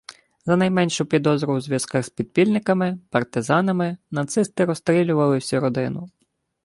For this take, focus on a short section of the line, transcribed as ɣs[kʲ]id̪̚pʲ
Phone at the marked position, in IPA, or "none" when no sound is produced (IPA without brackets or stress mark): pʲ